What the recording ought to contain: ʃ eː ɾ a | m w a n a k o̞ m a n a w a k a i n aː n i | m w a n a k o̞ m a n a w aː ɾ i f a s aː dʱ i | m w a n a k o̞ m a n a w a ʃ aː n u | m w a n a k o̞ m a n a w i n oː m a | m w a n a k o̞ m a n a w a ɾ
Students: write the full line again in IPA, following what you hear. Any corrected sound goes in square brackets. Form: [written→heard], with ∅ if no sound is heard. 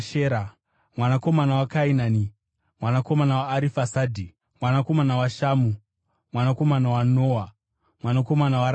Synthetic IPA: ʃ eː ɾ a | m w a n a k o̞ m a n a w a k a i n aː n i | m w a n a k o̞ m a n a w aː ɾ i f a s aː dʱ i | m w a n a k o̞ m a n a w a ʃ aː [n→m] u | m w a n a k o̞ m a n a w [i→a] n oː [m→∅] a | m w a n a k o̞ m a n a w a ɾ